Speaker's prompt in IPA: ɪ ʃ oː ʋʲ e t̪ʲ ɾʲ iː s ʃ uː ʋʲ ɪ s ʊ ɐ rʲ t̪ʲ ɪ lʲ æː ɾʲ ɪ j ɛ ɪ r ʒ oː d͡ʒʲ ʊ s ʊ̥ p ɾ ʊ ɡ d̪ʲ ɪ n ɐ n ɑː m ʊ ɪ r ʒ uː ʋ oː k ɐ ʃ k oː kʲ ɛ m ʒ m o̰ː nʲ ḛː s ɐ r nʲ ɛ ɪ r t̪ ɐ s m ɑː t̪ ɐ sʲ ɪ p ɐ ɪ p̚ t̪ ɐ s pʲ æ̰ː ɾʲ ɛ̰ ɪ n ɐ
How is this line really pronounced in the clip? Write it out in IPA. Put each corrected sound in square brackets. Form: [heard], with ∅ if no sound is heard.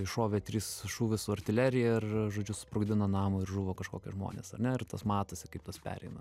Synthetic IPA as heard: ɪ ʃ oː ʋʲ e t̪ʲ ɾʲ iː s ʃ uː ʋʲ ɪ s ʊ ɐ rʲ t̪ʲ ɪ lʲ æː ɾʲ ɪ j ɛ ɪ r ʒ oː d͡ʒʲ ʊ s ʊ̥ p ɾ ʊ ɡ d̪ʲ ɪ n ɐ n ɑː m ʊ ɪ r ʒ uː ʋ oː k ɐ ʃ k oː kʲ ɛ [∅] ʒ m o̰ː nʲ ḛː s ɐ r nʲ ɛ ɪ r t̪ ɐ s m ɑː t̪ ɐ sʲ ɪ [k] ɐ ɪ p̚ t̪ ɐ s pʲ æ̰ː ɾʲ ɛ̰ ɪ n ɐ